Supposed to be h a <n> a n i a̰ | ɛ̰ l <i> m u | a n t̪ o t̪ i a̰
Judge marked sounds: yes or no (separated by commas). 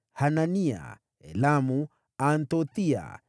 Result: yes, no